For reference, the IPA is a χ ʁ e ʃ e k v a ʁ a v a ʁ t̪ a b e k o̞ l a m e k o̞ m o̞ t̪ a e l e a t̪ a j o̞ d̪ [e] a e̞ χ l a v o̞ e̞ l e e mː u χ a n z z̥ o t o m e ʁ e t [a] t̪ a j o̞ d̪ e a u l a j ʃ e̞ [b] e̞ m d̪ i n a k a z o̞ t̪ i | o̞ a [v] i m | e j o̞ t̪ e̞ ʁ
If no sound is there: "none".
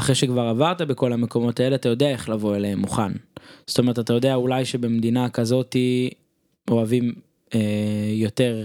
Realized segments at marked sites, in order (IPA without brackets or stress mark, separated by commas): e, a, b, v